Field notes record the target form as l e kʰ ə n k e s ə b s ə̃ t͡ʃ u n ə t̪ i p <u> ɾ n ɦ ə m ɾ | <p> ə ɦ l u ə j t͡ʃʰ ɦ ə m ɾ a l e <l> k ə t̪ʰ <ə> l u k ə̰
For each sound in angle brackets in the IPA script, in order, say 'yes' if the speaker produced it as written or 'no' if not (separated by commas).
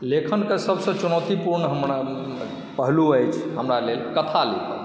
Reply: yes, yes, yes, no